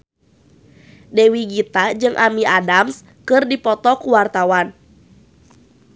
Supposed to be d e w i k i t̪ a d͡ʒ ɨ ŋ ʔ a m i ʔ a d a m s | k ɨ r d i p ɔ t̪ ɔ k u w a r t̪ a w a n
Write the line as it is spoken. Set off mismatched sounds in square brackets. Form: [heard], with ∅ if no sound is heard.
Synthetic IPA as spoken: d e w i [ɡ] i t̪ a d͡ʒ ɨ ŋ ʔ a m i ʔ a d a m s | k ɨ r d i p ɔ t̪ ɔ k u w a r t̪ a w a n

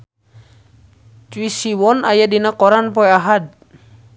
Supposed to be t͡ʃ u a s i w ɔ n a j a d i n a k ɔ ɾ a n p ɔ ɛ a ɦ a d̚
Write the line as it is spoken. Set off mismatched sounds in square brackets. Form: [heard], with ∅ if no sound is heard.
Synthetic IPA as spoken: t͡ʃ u [i] s i w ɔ n a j a d i n a k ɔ ɾ a n p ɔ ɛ a ɦ a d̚

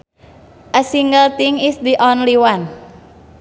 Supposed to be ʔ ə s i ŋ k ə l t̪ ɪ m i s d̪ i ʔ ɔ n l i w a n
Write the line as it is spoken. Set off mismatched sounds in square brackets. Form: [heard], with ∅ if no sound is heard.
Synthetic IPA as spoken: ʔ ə s i ŋ [ɡ] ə l t̪ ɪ [ŋ] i s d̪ i ʔ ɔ n l i w a n

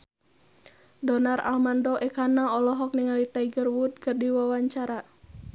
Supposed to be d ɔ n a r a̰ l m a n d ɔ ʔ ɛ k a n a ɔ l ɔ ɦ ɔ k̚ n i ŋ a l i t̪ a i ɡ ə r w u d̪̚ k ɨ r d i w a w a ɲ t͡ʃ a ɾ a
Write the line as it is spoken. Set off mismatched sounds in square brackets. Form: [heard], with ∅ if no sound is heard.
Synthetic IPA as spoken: d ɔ n a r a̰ l m a n d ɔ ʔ ɛ k a n a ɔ l ɔ ɦ ɔ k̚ n i ŋ a l i t̪ a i ɡ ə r w u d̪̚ k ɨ r d i w a w a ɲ t͡ʃ a ɾ a

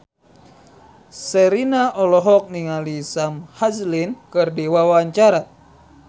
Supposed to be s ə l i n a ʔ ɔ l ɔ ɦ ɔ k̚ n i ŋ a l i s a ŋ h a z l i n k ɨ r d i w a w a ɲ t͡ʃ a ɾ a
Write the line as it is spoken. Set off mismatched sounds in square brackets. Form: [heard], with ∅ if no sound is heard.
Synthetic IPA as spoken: s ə [ɾ] i n a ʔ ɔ l ɔ ɦ ɔ k̚ n i ŋ a l i s a [m] h a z l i n k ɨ r d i w a w a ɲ t͡ʃ a ɾ a

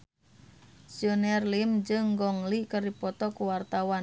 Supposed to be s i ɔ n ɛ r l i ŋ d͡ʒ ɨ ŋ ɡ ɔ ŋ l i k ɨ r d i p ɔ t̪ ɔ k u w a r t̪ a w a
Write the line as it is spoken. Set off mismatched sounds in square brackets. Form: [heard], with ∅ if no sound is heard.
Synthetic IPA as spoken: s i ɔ n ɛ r l i [m] d͡ʒ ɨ ŋ ɡ ɔ ŋ l i k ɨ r d i p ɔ t̪ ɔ k u w a r t̪ a w a

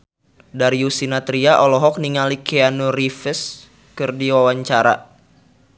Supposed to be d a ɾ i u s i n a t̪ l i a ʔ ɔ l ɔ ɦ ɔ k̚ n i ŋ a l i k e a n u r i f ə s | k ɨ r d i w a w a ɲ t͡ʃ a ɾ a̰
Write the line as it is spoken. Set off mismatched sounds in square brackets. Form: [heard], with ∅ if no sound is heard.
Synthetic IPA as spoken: d a ɾ i u s i n a t̪ [ɾ] i a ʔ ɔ l ɔ ɦ ɔ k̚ n i ŋ a l i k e a n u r i f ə s | k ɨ r d i w a w a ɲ t͡ʃ a ɾ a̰

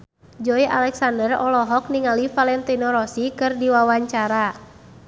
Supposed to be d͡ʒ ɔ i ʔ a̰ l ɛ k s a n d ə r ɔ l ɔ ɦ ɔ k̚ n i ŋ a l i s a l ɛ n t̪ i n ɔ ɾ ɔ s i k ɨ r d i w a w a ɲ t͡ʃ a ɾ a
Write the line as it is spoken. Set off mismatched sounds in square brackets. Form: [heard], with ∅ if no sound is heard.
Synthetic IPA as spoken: d͡ʒ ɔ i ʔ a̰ l ɛ k s a n d ə r ɔ l ɔ ɦ ɔ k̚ n i ŋ a l i [f] a l ɛ n t̪ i n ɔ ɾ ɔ s i k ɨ r d i w a w a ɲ t͡ʃ a ɾ a

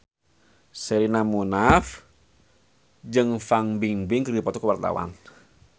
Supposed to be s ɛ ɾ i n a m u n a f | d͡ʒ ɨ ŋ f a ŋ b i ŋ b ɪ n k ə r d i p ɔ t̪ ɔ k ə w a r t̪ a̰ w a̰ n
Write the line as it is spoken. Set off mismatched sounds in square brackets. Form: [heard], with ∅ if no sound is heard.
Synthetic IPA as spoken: s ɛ ɾ i n a m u n a f | d͡ʒ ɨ ŋ f a ŋ b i ŋ b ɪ [ŋ] k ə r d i p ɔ t̪ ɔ k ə w a r t̪ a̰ w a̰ n

